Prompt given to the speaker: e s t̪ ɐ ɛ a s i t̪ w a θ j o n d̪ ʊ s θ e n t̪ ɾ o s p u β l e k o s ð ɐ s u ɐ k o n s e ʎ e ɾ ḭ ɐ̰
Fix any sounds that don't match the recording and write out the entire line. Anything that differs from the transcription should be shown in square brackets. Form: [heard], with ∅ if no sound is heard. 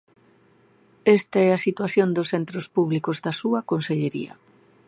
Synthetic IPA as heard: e s t̪ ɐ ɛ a s i t̪ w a θ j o n d̪ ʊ s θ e n t̪ ɾ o s p u β l [i] k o [z] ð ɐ s u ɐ k o n s e ʎ e ɾ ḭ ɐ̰